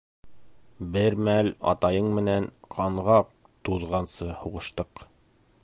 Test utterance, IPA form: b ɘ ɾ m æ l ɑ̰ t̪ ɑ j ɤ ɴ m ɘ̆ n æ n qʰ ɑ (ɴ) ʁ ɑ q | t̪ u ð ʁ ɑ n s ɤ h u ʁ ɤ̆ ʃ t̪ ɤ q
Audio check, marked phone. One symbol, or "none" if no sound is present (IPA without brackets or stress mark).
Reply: ɴ